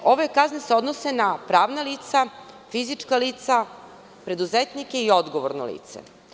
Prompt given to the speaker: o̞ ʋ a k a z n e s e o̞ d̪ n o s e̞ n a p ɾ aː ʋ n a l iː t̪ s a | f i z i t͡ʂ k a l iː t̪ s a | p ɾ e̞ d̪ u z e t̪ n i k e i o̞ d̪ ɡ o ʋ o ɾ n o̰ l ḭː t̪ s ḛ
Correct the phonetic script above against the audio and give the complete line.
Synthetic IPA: o̞ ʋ e k a z n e s e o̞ d̪ n o s e̞ n a p ɾ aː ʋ n a l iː t̪ s a | f i z i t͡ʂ k a l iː t̪ s a | p ɾ e̞ d̪ u z e t̪ n i k e i o̞ d̪ ɡ o ʋ o ɾ n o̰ l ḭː t̪ s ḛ

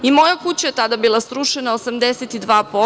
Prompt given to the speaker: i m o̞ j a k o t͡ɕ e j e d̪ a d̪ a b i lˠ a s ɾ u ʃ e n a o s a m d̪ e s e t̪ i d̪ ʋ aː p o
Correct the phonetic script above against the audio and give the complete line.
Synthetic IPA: i m o̞ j a k u t͡ɕ a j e t̪ a d̪ a b i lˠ a s ɾ u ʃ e n a o s a m d̪ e s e t̪ i d̪ ʋ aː p o

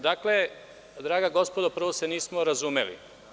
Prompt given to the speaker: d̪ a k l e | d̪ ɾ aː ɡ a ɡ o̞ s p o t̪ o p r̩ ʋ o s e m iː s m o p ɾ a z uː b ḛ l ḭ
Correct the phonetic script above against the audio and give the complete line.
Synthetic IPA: d̪ a k l e | d̪ ɾ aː ɡ a ɡ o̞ s p o d̪ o p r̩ ʋ o s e n iː s m o ɾ a z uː m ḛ l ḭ

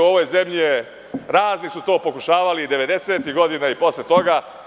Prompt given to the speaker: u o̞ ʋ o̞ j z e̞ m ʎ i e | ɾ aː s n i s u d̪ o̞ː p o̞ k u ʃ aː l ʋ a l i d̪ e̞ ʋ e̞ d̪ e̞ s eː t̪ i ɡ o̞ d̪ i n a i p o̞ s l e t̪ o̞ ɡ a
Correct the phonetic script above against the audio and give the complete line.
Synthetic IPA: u o̞ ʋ o̞ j z e̞ m ʎ i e | ɾ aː z n i s u t̪ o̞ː p o̞ k u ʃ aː ʋ a l i d̪ e̞ ʋ e̞ d̪ e̞ s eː t̪ i ɡ o̞ d̪ i n a i p o̞ s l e t̪ o̞ ɡ a

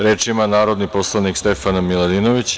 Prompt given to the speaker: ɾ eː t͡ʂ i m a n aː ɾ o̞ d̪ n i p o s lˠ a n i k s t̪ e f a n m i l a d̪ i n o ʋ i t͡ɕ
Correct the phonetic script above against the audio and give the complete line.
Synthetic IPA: ɾ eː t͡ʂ i m a n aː ɾ o̞ d̪ n i p o s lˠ a n i k s t̪ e f a n m i l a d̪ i n o ʋ i t͡ɕ

